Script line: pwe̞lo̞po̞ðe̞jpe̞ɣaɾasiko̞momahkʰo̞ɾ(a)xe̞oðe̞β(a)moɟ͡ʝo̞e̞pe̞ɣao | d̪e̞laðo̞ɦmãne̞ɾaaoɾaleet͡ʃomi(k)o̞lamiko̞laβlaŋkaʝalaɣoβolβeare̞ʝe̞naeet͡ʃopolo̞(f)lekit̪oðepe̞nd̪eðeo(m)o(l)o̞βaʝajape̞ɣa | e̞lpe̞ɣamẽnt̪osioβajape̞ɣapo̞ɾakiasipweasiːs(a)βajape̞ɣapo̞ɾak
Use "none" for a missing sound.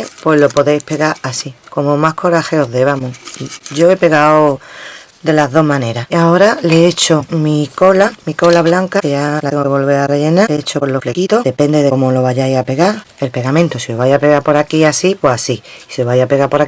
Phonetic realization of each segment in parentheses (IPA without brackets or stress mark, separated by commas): a, a, k, f, m, l, e